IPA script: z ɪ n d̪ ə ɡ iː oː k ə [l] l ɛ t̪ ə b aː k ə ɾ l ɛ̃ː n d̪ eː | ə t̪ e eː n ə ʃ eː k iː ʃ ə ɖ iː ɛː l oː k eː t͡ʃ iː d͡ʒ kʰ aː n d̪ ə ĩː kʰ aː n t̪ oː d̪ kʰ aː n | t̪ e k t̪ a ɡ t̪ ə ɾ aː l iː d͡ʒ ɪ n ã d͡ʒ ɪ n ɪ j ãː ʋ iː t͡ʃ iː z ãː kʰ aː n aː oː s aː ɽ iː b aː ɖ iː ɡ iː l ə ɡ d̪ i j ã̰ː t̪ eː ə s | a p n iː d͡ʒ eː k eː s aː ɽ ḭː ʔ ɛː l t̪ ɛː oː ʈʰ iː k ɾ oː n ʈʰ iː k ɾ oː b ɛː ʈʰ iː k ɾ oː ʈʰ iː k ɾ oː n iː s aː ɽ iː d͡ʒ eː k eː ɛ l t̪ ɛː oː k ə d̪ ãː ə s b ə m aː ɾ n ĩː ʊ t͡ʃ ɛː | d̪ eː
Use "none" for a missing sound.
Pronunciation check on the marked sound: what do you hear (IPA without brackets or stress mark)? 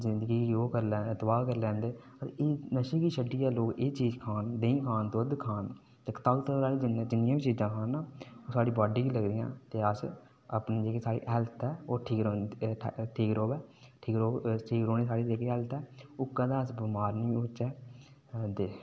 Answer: ɾ